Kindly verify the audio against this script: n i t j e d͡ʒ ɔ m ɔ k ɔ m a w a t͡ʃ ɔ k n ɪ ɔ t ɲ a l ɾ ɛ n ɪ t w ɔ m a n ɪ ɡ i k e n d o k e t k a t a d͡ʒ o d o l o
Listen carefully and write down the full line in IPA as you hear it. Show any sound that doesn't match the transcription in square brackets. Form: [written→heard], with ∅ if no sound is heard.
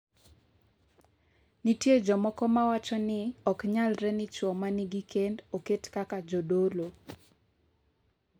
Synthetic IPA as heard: n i t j e d͡ʒ ɔ m ɔ k ɔ m a w a t͡ʃ ɔ [k→∅] n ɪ ɔ [t→k] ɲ a l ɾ ɛ n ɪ [t→t͡ʃ] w ɔ m a n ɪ ɡ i k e n d o k e t k a [t→k] a d͡ʒ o d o l o